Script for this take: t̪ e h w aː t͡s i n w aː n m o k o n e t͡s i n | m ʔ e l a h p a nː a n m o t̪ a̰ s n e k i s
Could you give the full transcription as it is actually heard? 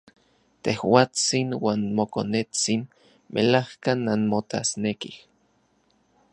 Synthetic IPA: t̪ e h w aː t͡s i n w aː n m o k o n e t͡s i n | m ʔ e l a h k a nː a n m o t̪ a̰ s n e k i h